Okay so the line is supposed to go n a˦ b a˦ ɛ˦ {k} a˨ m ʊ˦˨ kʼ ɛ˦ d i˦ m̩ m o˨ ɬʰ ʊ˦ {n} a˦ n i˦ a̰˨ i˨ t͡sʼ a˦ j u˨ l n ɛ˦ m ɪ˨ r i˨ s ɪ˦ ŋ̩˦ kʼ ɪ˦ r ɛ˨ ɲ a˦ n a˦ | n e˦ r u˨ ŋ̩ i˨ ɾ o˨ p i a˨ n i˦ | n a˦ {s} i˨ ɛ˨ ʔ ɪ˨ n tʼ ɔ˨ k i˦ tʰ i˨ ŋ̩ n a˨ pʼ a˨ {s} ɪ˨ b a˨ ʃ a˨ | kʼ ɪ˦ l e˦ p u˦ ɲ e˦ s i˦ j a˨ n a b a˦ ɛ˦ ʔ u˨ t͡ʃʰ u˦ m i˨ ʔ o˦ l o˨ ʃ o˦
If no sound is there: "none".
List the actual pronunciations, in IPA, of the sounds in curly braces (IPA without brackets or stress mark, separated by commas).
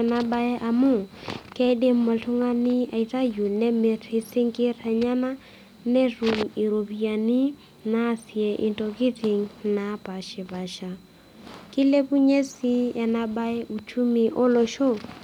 ʔ, ŋ, s, ʃ